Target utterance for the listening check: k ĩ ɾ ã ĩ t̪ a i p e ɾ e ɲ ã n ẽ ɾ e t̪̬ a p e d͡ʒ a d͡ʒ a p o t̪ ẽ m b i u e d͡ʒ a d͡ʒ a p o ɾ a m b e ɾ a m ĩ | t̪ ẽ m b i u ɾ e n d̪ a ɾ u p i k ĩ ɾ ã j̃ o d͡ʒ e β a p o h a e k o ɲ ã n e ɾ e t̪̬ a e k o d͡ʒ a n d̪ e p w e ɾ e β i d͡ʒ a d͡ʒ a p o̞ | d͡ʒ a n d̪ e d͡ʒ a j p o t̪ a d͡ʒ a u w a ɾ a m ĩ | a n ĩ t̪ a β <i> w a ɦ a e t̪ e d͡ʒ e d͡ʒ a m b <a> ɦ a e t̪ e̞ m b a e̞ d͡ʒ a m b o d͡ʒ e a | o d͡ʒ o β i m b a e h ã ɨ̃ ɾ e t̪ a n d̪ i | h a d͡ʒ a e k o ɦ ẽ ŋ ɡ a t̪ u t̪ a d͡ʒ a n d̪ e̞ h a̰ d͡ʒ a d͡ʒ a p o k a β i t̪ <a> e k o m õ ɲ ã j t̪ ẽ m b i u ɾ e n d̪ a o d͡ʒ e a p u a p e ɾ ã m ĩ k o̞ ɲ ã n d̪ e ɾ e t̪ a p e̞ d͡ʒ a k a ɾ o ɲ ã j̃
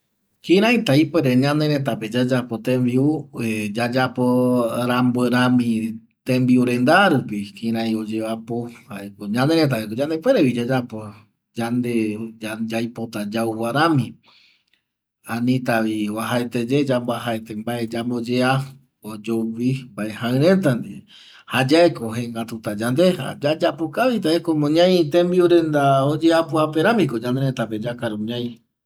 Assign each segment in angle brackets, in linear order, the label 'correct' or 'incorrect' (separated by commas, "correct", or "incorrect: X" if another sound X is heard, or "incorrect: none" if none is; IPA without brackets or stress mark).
correct, correct, correct